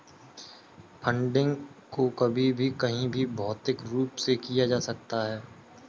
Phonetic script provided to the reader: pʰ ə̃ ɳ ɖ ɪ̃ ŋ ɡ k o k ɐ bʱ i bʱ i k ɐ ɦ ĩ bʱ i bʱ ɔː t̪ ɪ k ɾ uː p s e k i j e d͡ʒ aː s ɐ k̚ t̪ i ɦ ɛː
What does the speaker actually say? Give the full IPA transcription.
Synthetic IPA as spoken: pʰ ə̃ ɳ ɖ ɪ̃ ŋ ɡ k o k ɐ bʱ i bʱ i k ɐ ɦ ĩ bʱ i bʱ ɔː t̪ ɪ k ɾ uː p s e k i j a d͡ʒ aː s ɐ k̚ t̪ a ɦ ɛː

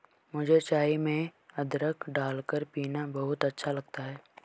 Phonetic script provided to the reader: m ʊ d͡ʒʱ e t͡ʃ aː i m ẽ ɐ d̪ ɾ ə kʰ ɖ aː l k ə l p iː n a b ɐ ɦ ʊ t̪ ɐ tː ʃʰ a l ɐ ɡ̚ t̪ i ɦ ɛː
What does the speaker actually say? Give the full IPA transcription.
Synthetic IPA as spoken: m ʊ d͡ʒʱ e t͡ʃ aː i m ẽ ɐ d̪ ɾ ə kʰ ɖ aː l k ə ɾ p iː n a b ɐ ɦ ʊ t̪ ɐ tː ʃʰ a l ɐ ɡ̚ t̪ a ɦ ɛː

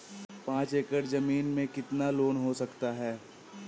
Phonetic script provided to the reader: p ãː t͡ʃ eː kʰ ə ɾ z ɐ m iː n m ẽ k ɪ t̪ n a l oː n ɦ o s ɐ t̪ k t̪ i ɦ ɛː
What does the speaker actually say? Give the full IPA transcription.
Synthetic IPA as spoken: p ãː t͡ʃ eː k ə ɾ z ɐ m iː n m ẽ k ɪ t̪ n a l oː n ɦ o s ɐ k t̪ a ɦ ɛː

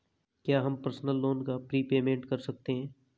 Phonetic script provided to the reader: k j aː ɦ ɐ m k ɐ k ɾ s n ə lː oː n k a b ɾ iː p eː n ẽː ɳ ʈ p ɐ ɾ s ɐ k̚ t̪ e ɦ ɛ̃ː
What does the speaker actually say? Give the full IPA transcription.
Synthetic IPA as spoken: k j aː ɦ ɐ m p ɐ ɾ s n ə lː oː n k a p ɾ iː p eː m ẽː ɳ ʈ k ɐ ɾ s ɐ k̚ t̪ e ɦ ɛ̃ː

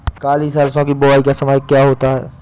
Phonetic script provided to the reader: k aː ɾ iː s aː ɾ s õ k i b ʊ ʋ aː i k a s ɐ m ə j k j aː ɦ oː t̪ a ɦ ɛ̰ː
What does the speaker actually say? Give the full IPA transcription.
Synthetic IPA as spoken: k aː l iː s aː l s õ k i b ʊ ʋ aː i k a s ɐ m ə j k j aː ɦ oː t̪ a ɦ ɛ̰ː

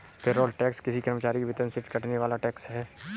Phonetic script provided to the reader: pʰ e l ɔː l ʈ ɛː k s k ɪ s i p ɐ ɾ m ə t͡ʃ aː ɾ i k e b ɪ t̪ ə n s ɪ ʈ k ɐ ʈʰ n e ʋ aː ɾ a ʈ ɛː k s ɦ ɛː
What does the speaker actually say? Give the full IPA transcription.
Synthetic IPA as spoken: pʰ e ɾ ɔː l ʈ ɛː k s k ɪ s i k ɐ ɾ m ə t͡ʃ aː ɾ i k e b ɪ t̪ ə n s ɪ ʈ k ɐ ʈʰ n e ʋ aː l a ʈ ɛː k s ɦ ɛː

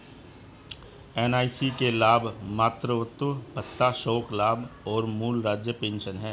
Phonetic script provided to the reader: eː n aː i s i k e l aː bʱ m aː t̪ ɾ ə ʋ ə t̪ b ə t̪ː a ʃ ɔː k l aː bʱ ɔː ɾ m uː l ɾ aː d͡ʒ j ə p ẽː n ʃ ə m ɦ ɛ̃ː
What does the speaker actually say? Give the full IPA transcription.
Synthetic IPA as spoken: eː n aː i s i k e l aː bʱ m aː t̪ ɾ ə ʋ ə t̪ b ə t̪ː a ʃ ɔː k l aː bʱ ɔː ɾ m uː l ɾ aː d͡ʒ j ə p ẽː n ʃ ə n ɦ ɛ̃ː

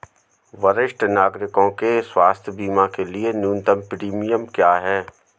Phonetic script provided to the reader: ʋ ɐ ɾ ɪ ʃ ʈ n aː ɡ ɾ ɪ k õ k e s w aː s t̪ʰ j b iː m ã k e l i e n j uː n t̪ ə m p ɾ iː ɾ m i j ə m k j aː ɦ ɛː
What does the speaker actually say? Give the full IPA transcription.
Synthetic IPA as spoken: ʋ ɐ ɾ ɪ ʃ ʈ n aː ɡ ɾ ɪ k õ k e s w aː s t̪ʰ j b iː m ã k e l i e n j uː n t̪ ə m p ɾ iː m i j ə m k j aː ɦ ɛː

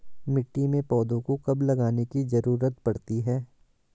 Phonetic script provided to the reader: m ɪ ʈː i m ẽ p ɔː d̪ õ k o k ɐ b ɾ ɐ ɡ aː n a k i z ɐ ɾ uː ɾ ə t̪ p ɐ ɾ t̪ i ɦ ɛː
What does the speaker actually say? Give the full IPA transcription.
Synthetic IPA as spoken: m ɪ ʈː i m ẽ p ɔː d̪ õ k o k ɐ b l ɐ ɡ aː n e k i z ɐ ɾ uː ɾ ə t̪ p ɐ ɽ t̪ i ɦ ɛː

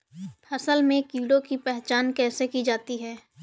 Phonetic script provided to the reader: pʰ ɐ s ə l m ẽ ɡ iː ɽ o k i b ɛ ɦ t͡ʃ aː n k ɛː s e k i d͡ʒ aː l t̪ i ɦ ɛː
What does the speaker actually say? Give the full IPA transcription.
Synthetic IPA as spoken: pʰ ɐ s ə l m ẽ k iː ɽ o k i p ɛ ɦ t͡ʃ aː n k ɛː s e k i d͡ʒ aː t̪ i ɦ ɛː

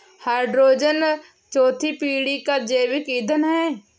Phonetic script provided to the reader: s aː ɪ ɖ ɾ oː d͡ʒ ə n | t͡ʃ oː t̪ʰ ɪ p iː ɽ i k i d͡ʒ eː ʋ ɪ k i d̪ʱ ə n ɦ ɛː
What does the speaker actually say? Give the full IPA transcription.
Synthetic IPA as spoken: h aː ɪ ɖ ɾ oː d͡ʒ ə n | t͡ʃ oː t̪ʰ i p iː ɽ i k a d͡ʒ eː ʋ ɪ k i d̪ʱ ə n ɦ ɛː

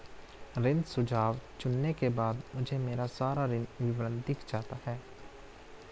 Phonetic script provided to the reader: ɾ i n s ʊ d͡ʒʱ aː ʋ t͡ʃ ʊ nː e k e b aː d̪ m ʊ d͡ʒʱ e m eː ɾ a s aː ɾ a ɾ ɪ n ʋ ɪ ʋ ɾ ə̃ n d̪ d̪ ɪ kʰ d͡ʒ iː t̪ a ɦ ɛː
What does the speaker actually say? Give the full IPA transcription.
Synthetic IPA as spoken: ɾ ɪ n s ʊ d͡ʒʱ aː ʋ t͡ʃ ʊ nː e k e b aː d̪ m ʊ d͡ʒʱ e m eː ɾ a s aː ɾ a ɾ ɪ n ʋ ɪ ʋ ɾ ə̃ n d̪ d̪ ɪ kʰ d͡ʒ aː t̪ a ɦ ɛː

